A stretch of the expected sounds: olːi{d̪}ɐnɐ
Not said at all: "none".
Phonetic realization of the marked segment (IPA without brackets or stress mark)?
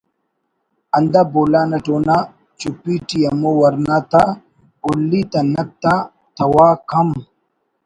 t̪